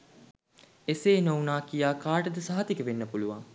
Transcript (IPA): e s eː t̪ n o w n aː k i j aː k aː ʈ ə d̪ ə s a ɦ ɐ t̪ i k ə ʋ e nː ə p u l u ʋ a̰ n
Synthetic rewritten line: e s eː n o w n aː k i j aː k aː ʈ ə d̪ ə s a ɦ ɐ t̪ i k ə ʋ e nː ə p u l u ʋ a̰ ŋ